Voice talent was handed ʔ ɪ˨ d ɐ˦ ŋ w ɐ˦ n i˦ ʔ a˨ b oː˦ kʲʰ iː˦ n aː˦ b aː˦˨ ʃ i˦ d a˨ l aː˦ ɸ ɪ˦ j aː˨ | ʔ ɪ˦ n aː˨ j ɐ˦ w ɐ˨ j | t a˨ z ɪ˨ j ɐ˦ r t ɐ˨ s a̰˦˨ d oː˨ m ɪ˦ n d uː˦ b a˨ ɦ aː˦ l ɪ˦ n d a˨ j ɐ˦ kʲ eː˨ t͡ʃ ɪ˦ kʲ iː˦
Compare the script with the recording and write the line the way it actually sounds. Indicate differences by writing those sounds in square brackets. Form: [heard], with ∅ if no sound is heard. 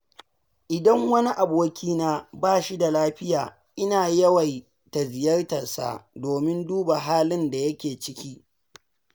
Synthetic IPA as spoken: ʔ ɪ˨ d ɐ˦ ŋ w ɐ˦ n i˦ ʔ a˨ b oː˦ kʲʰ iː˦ n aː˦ b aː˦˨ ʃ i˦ d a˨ l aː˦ ɸ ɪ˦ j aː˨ | ʔ ɪ˦ n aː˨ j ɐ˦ w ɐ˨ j | t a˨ z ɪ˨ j ɐ˦ r t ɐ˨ s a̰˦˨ d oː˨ m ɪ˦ n d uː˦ b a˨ ɦ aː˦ l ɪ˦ n d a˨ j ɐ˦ kʲ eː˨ t͡ʃ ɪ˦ kʲ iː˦